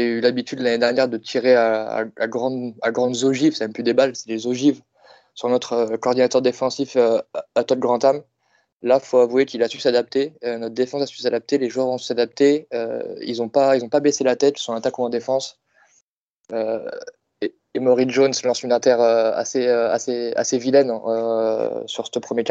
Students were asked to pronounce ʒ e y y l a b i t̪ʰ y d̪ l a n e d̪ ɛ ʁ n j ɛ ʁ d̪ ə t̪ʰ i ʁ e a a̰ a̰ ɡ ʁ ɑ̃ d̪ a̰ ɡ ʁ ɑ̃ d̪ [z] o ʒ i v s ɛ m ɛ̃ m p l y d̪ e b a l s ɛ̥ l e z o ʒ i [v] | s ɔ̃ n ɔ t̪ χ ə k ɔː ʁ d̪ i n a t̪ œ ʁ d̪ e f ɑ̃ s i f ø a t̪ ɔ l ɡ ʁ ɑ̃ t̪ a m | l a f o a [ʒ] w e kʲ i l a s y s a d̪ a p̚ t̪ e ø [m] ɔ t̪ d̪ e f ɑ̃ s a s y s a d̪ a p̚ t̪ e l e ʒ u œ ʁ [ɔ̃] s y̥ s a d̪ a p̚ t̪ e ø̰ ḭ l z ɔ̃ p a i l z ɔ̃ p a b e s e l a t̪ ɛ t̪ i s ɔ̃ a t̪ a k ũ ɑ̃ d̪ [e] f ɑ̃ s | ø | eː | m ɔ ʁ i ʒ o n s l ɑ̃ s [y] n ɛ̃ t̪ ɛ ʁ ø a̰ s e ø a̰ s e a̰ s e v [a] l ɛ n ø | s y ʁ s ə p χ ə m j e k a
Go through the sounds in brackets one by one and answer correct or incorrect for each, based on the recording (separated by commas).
correct, correct, incorrect, incorrect, correct, correct, correct, incorrect